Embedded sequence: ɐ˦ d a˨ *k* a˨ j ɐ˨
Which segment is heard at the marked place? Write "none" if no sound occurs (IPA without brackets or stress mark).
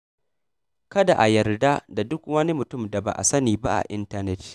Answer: ʔ